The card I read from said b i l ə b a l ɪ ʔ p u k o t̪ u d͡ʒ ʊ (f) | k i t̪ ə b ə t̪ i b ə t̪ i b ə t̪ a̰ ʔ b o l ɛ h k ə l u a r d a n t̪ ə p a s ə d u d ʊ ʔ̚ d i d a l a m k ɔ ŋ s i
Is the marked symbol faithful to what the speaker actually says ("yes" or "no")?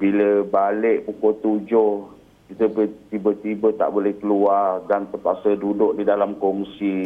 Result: no